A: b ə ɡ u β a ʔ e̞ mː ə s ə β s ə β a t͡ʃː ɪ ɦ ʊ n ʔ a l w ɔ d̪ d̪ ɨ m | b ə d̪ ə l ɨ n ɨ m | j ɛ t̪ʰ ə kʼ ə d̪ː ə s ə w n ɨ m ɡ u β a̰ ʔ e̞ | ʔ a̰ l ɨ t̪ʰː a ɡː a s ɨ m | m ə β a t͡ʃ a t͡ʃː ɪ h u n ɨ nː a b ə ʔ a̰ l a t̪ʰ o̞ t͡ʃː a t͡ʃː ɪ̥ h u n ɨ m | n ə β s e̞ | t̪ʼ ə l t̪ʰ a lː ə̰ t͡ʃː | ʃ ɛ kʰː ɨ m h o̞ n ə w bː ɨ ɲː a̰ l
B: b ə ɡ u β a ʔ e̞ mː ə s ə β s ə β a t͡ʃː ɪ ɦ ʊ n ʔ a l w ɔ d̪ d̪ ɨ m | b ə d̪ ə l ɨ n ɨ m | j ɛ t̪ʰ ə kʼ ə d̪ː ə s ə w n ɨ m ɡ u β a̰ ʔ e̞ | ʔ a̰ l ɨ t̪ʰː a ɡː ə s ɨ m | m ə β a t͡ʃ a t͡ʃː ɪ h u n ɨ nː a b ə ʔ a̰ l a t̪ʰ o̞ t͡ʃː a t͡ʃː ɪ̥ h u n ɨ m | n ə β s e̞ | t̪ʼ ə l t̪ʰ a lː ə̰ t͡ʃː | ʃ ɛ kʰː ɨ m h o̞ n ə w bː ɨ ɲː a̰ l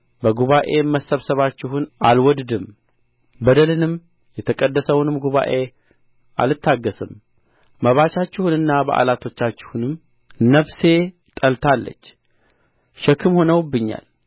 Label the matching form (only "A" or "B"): B